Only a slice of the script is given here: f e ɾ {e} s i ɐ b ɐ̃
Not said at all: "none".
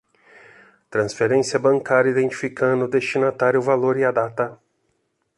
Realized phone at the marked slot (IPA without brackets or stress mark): ẽ